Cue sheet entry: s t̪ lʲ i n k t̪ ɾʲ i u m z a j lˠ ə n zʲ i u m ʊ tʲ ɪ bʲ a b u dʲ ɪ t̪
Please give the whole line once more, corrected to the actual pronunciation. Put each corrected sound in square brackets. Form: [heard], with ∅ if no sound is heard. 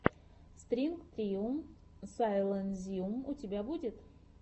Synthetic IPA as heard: s t̪ [ɾʲ] i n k t̪ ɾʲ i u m [s] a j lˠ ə n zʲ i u m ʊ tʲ ɪ bʲ a b u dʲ ɪ t̪